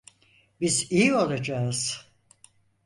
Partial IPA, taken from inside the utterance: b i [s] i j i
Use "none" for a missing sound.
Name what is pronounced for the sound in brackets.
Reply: z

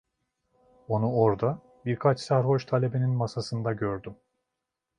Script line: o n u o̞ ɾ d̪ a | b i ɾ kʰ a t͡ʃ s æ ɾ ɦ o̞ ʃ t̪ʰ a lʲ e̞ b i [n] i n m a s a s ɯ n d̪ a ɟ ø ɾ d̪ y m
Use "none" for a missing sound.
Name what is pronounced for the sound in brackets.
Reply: n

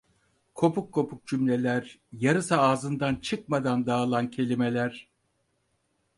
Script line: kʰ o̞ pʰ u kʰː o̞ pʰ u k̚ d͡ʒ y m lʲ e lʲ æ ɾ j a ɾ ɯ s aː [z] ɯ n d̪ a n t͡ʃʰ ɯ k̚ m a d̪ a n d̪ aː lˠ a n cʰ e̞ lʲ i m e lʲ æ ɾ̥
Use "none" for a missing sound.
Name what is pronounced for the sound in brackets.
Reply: z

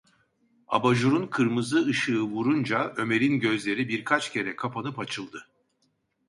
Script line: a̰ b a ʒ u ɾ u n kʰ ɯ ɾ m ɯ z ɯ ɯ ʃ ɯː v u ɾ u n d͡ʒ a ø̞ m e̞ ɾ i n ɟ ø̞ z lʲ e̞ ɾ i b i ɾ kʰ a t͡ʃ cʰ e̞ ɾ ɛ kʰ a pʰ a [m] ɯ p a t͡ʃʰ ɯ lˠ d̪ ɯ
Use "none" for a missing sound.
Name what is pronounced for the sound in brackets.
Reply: n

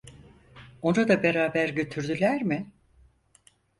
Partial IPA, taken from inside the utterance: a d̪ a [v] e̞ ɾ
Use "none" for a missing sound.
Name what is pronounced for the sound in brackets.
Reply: b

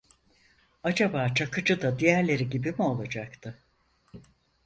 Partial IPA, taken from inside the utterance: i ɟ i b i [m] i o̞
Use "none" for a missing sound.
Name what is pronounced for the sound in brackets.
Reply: m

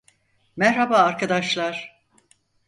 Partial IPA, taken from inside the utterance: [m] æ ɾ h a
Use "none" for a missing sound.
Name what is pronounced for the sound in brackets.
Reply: m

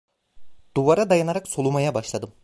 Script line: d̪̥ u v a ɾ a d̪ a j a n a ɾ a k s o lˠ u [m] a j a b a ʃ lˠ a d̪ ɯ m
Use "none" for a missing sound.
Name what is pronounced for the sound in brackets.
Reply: m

